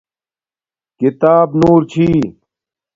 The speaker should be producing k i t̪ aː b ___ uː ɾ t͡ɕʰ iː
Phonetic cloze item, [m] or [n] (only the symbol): n